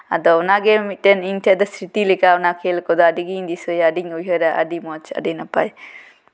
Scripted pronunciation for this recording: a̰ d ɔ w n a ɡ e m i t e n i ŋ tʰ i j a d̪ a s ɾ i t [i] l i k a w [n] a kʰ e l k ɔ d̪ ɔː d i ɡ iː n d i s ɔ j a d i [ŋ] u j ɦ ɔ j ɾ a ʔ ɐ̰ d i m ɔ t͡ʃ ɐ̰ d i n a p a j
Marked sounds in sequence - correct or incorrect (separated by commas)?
correct, correct, correct